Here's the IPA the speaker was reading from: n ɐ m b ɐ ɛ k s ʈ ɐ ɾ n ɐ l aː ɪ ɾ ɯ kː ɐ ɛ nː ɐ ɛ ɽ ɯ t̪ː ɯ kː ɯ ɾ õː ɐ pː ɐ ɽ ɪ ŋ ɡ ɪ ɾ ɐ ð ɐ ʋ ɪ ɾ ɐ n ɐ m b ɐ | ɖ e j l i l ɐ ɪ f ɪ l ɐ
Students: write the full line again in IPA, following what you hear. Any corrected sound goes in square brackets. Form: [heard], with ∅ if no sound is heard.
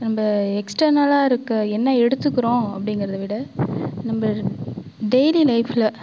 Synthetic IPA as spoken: n ɐ m b ɐ ɛ k s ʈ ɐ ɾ n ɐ l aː ɪ ɾ ɯ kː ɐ ɛ nː ɐ ɛ ɽ ɯ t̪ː ɯ kː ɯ ɾ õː ɐ pː ɐ ɽ ɪ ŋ ɡ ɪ ɾ ɐ ð ɐ ʋ ɪ [ɽ] ɐ n ɐ m b ɐ | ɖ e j l i l ɐ ɪ f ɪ l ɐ

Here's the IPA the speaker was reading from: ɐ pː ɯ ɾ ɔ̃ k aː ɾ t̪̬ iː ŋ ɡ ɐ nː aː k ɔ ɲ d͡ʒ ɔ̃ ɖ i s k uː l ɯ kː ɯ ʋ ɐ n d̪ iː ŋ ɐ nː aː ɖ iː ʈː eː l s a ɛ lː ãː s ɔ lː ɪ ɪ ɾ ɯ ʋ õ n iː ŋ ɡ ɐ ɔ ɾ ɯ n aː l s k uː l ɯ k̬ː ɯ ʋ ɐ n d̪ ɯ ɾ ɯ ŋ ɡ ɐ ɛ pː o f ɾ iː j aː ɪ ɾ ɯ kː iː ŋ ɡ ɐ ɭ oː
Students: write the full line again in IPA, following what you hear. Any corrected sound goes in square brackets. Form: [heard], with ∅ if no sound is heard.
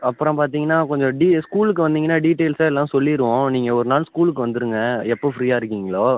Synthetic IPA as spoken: ɐ pː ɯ ɾ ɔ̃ [p] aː ɾ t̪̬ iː ŋ ɡ ɐ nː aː k ɔ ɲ d͡ʒ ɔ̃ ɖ i s k uː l ɯ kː ɯ ʋ ɐ n d̪ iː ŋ ɐ nː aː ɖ iː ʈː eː l s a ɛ lː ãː s ɔ lː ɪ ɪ ɾ ɯ ʋ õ n iː ŋ ɡ ɐ ɔ ɾ ɯ n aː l s k uː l ɯ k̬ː ɯ ʋ ɐ n d̪ ɯ ɾ ɯ ŋ ɡ ɐ ɛ pː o f ɾ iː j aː ɪ ɾ ɯ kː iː ŋ ɡ ɐ ɭ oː

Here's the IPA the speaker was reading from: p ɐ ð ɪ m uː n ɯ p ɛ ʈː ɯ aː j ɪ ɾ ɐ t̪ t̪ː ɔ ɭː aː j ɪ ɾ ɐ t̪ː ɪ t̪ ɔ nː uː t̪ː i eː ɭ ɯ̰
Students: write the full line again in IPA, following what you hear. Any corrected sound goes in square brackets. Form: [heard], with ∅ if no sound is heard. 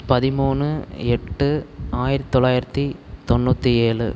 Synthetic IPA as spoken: p ɐ ð ɪ m uː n ɯ [∅] ɛ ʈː ɯ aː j ɪ ɾ ɐ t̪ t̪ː ɔ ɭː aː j ɪ ɾ ɐ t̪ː [i] t̪ ɔ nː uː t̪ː i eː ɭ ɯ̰

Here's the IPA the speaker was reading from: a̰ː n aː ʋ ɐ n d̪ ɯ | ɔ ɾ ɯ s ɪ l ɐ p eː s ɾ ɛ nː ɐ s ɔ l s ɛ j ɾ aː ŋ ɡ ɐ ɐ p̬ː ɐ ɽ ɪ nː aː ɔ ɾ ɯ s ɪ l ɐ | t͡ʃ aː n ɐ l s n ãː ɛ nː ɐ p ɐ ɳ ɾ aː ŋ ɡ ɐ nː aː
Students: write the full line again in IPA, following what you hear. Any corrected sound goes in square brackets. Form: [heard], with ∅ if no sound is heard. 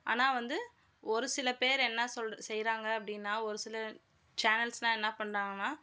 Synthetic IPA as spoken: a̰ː n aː ʋ ɐ n d̪ ɯ | ɔ ɾ ɯ s ɪ l ɐ p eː [∅] ɾ ɛ nː ɐ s ɔ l s ɛ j ɾ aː ŋ ɡ ɐ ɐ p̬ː ɐ ɽ ɪ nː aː ɔ ɾ ɯ s ɪ l ɐ | t͡ʃ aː n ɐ l s n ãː ɛ nː ɐ p ɐ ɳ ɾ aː ŋ ɡ ɐ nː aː

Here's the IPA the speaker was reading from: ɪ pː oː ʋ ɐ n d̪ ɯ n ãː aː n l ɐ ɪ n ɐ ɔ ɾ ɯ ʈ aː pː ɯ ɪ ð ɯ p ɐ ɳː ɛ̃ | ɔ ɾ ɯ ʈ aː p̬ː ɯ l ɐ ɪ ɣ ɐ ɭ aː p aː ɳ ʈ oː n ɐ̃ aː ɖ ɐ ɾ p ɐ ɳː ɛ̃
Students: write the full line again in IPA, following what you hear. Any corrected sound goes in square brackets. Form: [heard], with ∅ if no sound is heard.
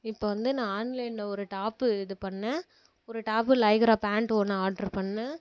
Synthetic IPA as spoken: ɪ pː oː ʋ ɐ n d̪ ɯ n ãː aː n l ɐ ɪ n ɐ ɔ ɾ ɯ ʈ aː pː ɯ ɪ ð ɯ p ɐ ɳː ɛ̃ | ɔ ɾ ɯ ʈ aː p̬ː ɯ l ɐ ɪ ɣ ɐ [ɾ] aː p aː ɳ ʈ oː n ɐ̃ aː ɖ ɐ ɾ p ɐ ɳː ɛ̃

